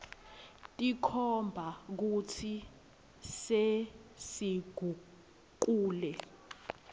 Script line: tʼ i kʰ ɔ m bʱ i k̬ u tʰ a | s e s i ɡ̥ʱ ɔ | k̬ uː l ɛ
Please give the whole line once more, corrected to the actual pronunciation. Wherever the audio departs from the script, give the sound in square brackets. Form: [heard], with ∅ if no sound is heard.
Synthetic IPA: tʼ i kʰ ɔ m bʱ [a] k̬ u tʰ [i] | s e s i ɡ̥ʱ [u] | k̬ uː l ɛ

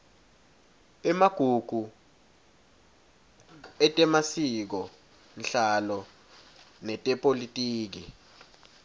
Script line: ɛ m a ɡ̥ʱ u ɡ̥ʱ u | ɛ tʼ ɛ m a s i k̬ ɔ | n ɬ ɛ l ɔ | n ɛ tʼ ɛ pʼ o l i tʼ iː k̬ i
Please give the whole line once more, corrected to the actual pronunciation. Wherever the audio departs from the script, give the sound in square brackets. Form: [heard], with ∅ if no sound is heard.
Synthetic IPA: ɛ m a ɡ̥ʱ u ɡ̥ʱ u | ɛ tʼ ɛ m a s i k̬ ɔ | n ɬ [a] l ɔ | n ɛ tʼ ɛ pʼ o l i tʼ iː k̬ i

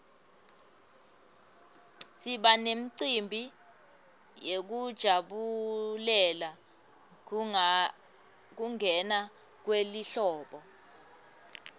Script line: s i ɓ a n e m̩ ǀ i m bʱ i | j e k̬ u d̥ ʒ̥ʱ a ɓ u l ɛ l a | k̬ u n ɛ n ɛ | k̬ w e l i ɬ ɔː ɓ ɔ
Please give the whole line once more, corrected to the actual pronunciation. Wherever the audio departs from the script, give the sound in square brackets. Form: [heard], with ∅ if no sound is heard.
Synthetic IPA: s i ɓ a n e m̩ ǀ i m bʱ i | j e k̬ u d̥ ʒ̥ʱ a ɓ u l ɛ l a | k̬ u [ŋ] ɛ n [a] | k̬ w e l i ɬ ɔː ɓ ɔ

